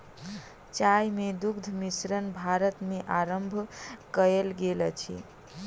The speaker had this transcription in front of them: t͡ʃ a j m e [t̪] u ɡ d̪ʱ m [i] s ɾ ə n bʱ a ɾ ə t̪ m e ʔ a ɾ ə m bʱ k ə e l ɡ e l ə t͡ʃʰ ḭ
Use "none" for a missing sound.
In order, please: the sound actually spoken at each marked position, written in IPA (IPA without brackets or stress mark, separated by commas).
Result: d̪, i